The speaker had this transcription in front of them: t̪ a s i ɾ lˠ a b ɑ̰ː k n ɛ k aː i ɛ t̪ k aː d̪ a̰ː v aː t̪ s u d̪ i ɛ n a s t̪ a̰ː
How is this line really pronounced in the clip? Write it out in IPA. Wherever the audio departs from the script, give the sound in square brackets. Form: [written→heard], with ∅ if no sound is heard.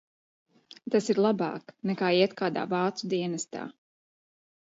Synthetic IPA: t̪ a s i ɾ lˠ a b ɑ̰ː k n ɛ k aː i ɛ t̪ k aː d̪ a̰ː v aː t̪ s u d̪ i ɛ n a s t̪ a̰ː